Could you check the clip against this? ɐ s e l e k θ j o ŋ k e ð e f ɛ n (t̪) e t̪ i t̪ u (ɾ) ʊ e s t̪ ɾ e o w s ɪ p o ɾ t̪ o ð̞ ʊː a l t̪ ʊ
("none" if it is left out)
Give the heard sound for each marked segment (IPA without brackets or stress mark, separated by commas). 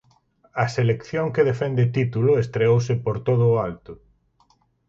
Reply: d̪, l